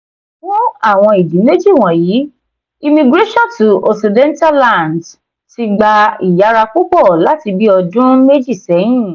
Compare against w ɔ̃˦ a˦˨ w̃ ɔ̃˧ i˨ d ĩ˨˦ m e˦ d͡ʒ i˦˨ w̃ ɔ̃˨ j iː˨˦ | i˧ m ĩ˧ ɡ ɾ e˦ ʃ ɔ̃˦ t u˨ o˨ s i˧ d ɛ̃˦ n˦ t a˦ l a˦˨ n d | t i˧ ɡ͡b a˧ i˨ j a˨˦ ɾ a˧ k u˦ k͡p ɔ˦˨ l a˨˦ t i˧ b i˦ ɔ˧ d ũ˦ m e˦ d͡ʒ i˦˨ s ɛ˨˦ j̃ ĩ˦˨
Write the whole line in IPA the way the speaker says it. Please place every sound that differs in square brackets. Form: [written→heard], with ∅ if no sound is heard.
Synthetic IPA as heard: w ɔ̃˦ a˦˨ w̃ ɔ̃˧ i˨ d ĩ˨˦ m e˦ d͡ʒ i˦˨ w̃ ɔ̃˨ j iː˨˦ | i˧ m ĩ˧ ɡ ɾ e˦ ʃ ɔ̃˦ t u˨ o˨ s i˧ d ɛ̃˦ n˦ t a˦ l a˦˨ n d | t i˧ ɡ͡b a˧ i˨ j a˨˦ ɾ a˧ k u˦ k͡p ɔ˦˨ l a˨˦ t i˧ b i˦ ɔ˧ d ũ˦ m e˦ d͡ʒ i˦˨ s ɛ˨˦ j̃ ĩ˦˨